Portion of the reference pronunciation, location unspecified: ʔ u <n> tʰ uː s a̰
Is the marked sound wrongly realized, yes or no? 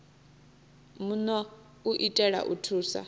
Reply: yes